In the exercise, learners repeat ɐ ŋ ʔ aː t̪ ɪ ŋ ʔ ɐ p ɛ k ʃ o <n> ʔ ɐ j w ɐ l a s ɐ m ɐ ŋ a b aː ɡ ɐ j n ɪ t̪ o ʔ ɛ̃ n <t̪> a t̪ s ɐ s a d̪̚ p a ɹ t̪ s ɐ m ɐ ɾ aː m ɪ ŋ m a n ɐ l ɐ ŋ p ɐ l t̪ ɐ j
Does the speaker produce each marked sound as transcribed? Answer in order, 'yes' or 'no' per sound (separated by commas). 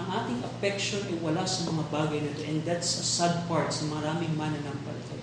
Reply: yes, no